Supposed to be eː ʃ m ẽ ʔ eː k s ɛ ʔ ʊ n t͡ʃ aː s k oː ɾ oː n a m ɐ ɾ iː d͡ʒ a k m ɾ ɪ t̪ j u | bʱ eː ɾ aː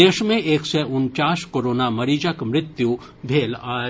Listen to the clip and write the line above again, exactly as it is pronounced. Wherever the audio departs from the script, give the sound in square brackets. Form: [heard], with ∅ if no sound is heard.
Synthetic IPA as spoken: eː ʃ m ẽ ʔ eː k s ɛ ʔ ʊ n t͡ʃ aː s k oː ɾ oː n a m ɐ ɾ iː d͡ʒ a k m ɾ ɪ t̪ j u | bʱ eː [l] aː